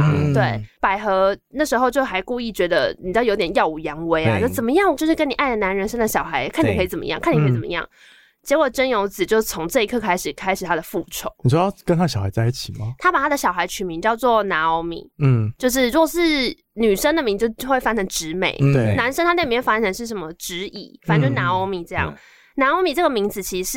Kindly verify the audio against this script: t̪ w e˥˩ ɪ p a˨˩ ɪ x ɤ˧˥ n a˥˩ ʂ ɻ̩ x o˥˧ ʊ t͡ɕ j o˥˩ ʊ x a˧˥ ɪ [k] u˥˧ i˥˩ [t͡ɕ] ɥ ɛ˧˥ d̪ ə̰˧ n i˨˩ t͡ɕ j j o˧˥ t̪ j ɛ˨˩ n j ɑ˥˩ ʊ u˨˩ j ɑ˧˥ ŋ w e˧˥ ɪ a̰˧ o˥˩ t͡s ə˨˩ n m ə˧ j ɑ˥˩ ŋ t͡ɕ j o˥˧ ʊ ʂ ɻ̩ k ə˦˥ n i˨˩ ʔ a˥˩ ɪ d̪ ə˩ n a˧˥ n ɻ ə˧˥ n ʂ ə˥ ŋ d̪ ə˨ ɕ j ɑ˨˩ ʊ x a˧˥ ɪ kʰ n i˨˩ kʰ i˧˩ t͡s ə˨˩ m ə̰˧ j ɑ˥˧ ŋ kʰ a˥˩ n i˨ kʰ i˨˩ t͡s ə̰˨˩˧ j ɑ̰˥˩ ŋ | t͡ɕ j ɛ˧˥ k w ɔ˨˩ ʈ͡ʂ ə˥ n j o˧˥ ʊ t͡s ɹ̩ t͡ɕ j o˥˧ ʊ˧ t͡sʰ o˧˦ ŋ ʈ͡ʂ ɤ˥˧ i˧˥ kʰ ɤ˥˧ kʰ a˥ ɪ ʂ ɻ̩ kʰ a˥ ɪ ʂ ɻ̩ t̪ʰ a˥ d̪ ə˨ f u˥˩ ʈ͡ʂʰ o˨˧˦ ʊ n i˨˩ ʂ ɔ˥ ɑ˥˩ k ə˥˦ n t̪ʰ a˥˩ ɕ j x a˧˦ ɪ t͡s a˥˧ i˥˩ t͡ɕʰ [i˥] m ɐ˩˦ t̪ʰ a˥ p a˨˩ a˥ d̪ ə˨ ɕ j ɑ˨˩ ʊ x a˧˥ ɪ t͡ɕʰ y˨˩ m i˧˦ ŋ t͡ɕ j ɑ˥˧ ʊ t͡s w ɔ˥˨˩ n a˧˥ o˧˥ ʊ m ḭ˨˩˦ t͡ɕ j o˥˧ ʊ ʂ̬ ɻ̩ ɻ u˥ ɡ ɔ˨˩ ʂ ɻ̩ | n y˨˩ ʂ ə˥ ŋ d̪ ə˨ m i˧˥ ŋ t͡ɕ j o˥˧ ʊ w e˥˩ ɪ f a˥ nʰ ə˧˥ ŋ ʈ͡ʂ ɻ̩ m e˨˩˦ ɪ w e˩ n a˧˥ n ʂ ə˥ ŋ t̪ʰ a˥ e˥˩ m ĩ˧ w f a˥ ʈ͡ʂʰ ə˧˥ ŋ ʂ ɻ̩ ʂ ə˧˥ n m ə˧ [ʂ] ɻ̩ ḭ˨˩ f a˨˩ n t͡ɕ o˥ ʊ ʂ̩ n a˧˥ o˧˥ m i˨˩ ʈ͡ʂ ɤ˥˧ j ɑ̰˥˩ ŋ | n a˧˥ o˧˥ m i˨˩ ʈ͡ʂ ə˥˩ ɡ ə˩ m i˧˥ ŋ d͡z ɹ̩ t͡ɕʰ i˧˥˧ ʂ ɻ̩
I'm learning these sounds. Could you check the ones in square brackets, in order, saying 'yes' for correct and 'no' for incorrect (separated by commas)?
yes, yes, no, no